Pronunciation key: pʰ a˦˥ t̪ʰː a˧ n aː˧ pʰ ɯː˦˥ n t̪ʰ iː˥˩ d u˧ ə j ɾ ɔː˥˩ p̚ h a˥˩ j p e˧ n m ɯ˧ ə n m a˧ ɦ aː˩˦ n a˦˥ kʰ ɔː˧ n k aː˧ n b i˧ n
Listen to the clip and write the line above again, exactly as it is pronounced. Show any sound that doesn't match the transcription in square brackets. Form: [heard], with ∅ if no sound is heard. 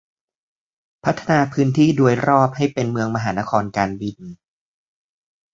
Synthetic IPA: pʰ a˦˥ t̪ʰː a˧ n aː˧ pʰ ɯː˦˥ n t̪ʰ iː˥˩ d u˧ ə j ɾ ɔː˥˩ p̚ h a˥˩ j p e˧ n m ɯ˧ ə [ŋ] m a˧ ɦ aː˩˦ n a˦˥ kʰ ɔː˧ n k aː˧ n b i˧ n